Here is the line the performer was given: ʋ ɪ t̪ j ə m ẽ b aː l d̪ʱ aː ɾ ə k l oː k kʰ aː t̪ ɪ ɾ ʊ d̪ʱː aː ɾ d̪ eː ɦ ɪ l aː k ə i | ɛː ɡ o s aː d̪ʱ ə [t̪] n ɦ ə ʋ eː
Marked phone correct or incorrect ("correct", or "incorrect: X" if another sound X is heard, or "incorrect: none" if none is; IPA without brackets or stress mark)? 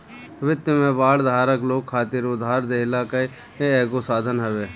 incorrect: none